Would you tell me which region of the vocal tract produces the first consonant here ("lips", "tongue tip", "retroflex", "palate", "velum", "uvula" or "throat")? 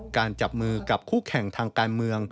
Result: velum